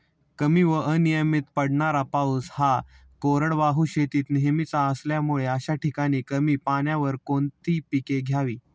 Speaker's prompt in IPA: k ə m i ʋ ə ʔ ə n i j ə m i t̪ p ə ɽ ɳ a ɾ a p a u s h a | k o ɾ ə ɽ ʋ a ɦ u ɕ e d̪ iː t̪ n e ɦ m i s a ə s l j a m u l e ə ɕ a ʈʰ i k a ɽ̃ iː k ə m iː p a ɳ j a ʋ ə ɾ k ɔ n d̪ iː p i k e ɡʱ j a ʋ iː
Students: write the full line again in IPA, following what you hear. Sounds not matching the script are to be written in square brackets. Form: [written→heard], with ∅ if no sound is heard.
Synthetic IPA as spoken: k ə m i ʋ ə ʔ ə n i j ə m i t̪ p ə ɽ ɳ a ɾ a p a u s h a | k o ɾ ə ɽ ʋ a ɦ u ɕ e [d̪→t̪] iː t̪ n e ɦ m i [s→t͡s] a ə s l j a m u [l→ɭ] e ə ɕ a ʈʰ i k a ɽ̃ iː k ə m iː p a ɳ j a ʋ ə ɾ k [ɔ→o] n [d̪→t̪] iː p i k e ɡʱ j a ʋ iː